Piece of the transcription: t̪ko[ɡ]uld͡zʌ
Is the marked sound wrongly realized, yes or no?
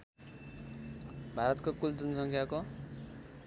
yes